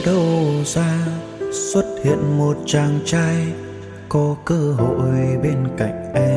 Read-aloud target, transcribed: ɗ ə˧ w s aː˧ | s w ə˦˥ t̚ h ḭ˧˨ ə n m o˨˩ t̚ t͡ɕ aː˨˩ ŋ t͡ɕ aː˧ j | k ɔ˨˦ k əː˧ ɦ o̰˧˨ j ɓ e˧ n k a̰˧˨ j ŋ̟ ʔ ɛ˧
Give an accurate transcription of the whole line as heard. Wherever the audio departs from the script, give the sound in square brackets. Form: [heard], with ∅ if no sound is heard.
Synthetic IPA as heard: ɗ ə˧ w [z] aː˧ | s w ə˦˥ t̚ h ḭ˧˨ ə n m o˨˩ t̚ t͡ɕ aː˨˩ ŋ t͡ɕ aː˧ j | k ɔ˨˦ k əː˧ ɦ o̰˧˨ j ɓ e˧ n k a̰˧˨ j ŋ̟ ʔ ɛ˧